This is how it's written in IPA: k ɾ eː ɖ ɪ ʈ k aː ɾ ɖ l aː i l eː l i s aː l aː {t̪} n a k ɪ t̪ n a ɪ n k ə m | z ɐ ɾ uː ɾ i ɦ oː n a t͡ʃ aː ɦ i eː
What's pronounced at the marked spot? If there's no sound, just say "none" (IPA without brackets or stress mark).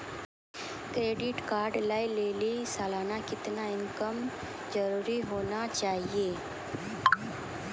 none